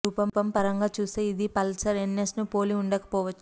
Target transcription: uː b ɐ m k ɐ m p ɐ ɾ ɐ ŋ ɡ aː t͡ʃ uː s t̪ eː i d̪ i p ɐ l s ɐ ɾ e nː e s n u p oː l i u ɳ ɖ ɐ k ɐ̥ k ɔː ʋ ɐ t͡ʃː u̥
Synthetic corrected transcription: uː p ɐ m p ɐ m p ɐ ɾ ɐ ŋ ɡ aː t͡ʃ uː s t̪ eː i d̪ i p ɐ l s ɐ ɾ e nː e s n u p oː l i u ɳ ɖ ɐ k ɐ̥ p ɔː ʋ ɐ t͡ʃː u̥